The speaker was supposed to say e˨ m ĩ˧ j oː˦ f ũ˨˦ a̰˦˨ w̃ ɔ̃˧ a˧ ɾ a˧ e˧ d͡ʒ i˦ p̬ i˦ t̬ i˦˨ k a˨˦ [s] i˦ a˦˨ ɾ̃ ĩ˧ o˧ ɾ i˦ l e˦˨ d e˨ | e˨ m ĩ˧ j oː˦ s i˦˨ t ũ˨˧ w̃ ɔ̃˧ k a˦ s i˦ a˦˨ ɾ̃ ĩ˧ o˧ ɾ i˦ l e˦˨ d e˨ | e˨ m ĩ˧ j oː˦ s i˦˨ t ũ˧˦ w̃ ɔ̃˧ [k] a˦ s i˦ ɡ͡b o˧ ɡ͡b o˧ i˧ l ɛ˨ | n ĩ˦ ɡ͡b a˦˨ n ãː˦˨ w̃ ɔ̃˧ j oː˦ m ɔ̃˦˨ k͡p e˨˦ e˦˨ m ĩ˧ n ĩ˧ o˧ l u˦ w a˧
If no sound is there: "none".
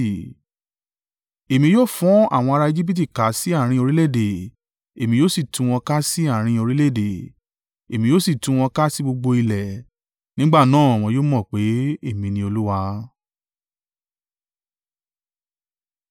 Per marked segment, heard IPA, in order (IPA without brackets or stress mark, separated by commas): s, k